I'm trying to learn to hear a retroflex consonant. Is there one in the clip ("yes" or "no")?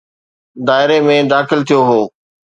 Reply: no